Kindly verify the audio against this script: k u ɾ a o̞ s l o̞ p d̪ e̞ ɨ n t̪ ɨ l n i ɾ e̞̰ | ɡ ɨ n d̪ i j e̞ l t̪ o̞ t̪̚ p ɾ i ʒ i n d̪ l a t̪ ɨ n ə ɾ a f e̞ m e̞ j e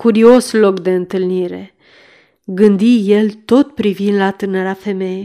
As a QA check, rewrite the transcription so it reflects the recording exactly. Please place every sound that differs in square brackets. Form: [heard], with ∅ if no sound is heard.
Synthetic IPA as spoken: k u ɾ [i] o̞ s l o̞ [k] d̪ e̞ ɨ n t̪ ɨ l n i ɾ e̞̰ | ɡ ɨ n d̪ i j e̞ l t̪ o̞ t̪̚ p ɾ i [v] i n d̪ l a t̪ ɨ n ə ɾ a f e̞ m e̞ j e